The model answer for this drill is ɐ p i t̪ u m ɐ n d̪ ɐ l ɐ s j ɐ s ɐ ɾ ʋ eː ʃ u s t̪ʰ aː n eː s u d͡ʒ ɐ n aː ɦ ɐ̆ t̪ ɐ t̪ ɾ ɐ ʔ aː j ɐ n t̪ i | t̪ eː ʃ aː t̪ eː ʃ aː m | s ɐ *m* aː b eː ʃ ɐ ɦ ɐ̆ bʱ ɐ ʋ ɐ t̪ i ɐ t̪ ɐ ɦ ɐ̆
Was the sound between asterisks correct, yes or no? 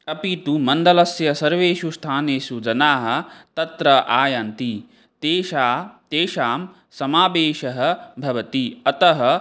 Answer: yes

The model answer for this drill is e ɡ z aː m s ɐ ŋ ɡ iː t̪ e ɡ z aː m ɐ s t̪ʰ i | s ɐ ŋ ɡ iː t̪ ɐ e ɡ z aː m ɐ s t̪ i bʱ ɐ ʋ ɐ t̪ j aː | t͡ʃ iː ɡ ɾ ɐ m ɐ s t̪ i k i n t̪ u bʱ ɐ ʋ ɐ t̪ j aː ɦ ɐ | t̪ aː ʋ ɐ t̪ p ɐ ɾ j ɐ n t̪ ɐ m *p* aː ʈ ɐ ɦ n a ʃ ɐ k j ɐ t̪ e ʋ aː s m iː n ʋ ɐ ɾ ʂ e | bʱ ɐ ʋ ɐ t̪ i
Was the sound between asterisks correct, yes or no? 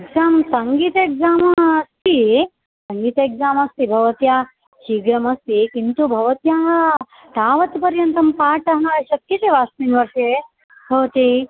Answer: yes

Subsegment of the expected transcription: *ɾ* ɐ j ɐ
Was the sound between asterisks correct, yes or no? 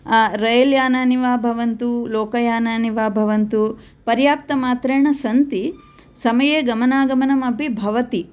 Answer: yes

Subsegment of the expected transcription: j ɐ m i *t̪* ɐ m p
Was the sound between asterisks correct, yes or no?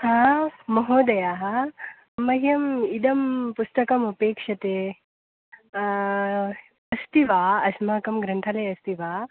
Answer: no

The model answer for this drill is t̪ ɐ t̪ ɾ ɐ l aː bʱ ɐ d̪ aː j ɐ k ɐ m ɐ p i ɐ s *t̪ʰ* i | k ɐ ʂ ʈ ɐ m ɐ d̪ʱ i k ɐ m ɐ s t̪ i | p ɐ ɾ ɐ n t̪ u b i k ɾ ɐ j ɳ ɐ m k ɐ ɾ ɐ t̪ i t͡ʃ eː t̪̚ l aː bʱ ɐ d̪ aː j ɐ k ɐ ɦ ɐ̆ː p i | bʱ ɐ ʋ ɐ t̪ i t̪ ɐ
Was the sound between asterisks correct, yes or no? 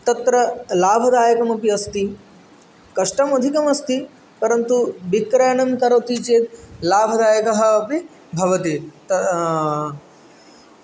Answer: no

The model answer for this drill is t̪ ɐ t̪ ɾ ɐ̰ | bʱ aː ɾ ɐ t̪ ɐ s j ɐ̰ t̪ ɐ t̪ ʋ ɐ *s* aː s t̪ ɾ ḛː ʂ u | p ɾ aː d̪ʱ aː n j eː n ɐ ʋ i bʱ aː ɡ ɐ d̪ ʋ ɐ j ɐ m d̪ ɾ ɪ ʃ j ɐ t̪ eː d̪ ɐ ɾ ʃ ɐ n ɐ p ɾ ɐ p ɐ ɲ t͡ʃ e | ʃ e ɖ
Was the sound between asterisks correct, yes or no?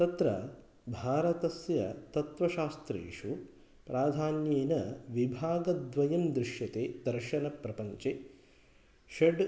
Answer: no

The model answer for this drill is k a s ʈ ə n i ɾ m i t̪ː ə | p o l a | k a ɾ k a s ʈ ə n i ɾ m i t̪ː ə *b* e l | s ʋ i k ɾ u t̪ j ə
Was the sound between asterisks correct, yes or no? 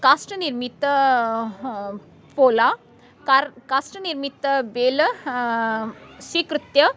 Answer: yes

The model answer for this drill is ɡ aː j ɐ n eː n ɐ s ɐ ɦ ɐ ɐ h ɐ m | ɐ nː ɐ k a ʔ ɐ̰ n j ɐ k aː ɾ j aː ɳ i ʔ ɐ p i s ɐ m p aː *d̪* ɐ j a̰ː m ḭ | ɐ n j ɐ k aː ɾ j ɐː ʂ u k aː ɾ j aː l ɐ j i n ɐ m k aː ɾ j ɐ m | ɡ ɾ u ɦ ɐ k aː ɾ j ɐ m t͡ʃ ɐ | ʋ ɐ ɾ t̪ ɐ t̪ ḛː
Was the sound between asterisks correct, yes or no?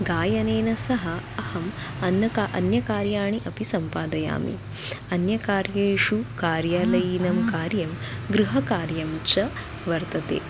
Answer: yes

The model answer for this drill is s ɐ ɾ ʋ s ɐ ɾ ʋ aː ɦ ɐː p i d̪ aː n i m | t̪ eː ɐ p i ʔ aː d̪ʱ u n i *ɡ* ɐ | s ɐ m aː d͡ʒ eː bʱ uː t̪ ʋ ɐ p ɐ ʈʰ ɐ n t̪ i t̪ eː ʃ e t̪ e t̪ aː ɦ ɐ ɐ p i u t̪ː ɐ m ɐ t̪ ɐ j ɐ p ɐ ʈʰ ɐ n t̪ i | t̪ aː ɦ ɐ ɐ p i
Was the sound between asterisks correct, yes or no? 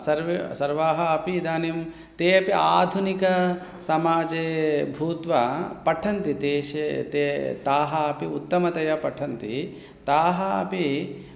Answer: no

